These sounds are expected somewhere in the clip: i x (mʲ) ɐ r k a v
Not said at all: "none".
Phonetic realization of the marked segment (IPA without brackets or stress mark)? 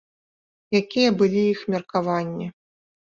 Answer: mʲ